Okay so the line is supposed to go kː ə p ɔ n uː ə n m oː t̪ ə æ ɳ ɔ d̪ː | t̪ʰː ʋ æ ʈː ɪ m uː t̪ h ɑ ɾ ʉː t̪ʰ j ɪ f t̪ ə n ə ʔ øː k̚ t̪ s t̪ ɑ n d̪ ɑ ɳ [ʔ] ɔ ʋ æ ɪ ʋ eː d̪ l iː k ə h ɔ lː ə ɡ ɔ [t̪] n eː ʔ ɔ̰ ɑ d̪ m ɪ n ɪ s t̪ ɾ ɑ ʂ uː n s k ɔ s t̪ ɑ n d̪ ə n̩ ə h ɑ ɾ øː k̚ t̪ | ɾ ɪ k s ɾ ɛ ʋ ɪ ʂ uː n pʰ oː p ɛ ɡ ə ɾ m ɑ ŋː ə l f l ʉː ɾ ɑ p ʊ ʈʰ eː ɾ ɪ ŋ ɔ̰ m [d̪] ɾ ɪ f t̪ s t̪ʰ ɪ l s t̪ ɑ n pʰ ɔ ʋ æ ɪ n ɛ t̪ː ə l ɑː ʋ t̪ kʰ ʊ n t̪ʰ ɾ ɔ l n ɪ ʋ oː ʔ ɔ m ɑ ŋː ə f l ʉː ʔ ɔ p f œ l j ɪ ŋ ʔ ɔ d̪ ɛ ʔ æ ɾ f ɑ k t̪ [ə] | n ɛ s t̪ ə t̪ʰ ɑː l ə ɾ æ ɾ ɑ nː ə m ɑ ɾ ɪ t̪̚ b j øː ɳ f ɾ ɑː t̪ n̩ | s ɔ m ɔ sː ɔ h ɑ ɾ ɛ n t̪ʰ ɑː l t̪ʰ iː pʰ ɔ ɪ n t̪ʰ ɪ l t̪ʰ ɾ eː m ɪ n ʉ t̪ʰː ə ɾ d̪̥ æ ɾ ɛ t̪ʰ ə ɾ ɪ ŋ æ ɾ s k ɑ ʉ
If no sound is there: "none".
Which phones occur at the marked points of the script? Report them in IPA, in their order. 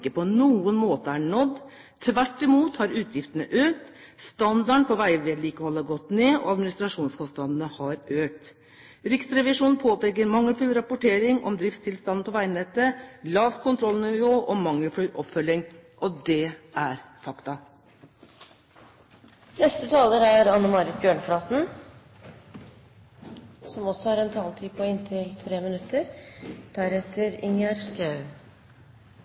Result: p, t̪, d̪, ɑ

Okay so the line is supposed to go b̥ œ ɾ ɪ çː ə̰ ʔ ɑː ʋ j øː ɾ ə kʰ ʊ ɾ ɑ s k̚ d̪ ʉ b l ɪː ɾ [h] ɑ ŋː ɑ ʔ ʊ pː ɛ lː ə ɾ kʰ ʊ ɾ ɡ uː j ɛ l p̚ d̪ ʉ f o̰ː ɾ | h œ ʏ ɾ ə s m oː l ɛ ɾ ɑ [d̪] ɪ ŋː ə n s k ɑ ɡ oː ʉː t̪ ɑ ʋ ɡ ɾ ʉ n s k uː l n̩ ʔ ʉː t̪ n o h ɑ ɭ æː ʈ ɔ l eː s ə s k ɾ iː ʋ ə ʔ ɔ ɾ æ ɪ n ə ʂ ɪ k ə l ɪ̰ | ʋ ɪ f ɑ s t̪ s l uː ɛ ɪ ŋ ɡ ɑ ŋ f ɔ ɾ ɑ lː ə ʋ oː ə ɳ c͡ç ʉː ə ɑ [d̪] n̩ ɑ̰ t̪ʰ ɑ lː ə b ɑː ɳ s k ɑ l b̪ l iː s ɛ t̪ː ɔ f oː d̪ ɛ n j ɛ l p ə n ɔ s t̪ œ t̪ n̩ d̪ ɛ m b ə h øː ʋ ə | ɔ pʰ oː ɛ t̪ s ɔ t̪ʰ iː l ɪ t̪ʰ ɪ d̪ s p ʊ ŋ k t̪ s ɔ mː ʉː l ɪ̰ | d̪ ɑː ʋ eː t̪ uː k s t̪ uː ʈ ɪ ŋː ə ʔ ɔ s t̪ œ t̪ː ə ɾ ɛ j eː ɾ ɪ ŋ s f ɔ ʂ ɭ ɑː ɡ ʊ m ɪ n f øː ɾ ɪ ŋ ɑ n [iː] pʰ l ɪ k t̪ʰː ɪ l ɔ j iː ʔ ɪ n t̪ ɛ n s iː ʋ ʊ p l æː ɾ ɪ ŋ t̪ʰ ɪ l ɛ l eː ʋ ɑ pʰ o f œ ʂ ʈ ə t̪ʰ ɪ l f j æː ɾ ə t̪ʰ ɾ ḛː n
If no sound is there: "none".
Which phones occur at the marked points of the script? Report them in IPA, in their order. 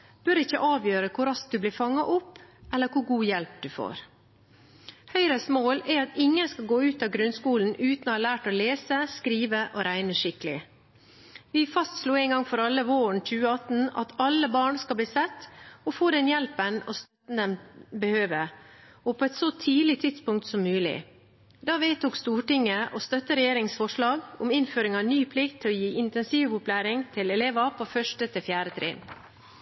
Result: f, t̪, t̪, yː

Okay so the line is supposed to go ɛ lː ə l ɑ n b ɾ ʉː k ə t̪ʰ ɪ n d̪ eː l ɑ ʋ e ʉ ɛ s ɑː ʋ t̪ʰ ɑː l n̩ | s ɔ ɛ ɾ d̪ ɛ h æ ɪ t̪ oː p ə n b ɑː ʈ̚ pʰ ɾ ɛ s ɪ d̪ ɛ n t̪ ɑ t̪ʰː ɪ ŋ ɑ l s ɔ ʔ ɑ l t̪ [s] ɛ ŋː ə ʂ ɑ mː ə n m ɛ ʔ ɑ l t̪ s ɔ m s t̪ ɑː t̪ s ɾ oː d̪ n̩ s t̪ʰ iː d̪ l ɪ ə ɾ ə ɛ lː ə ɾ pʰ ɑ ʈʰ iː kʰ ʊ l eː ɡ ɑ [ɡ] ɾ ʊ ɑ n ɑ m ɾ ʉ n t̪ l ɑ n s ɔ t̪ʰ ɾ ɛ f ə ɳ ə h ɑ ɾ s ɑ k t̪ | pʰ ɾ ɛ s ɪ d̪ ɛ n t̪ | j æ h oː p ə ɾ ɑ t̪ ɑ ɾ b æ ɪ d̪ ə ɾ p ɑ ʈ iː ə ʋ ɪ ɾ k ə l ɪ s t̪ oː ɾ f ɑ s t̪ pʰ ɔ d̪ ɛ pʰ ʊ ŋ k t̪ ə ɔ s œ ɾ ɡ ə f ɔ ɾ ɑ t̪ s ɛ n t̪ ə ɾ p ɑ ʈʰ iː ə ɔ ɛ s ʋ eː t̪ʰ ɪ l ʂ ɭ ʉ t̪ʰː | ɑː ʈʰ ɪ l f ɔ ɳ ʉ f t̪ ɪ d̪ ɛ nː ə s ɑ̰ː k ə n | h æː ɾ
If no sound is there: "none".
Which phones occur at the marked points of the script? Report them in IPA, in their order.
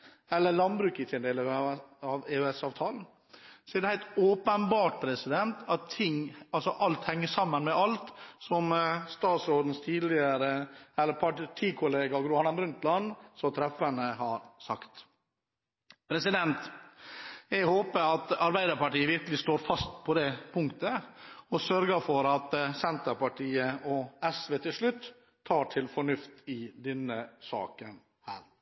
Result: h, ɡ

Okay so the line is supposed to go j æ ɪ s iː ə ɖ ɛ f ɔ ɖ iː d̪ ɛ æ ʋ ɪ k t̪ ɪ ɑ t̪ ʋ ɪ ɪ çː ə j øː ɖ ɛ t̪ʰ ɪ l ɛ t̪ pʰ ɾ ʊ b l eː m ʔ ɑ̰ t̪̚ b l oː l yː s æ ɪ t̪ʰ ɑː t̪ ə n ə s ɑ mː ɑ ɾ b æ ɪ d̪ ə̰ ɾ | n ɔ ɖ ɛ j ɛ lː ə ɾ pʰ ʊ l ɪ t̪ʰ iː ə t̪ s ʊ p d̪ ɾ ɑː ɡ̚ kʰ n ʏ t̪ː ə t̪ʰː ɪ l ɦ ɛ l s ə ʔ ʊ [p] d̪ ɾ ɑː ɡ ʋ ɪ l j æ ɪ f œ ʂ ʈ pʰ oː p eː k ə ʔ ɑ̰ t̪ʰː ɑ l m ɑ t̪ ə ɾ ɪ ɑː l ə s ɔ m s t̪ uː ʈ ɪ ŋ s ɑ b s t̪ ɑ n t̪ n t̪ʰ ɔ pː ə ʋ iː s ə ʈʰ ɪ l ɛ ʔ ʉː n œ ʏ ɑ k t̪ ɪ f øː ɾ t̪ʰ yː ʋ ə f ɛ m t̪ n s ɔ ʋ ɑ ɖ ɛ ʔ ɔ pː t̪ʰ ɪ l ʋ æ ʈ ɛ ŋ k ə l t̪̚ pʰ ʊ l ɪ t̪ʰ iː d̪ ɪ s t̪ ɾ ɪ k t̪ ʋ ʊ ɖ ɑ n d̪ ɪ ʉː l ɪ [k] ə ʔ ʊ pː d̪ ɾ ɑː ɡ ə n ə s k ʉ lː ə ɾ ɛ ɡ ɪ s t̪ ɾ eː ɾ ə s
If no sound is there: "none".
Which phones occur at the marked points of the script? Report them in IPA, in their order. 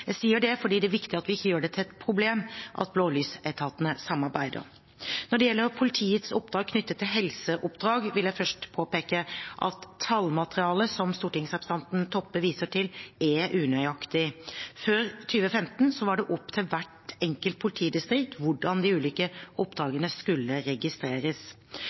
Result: p, k

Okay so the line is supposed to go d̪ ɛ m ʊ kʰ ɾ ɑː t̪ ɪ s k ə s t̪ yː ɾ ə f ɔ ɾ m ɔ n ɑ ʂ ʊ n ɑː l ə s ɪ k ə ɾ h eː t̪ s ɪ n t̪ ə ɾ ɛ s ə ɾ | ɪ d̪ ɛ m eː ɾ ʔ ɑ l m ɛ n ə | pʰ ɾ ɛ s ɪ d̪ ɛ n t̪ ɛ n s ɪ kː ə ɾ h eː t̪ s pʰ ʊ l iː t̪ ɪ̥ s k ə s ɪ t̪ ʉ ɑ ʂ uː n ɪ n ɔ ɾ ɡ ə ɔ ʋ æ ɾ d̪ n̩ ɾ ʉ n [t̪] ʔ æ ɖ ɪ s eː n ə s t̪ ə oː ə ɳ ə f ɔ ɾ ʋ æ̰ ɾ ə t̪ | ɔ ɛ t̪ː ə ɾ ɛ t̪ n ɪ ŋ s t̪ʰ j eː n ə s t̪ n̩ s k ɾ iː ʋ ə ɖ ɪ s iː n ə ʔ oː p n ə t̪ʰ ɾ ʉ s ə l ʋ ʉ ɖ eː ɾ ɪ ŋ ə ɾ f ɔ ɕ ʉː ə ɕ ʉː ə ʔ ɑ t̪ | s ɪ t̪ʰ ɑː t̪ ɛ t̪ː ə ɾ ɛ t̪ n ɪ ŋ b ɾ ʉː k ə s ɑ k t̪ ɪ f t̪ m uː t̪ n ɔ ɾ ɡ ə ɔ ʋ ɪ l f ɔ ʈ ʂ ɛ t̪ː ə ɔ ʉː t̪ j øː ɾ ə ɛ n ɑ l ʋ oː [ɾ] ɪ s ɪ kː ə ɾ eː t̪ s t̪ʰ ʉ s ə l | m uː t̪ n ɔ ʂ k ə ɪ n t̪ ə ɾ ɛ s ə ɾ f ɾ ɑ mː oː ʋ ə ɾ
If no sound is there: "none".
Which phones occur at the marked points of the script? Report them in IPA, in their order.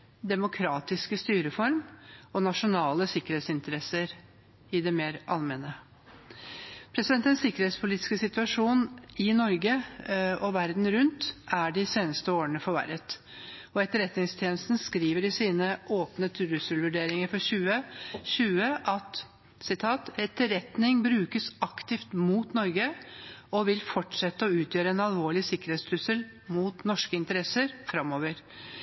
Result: t̪, ɭ

